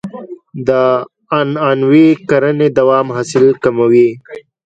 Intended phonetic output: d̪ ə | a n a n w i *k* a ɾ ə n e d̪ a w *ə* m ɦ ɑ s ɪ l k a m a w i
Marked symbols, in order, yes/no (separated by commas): yes, no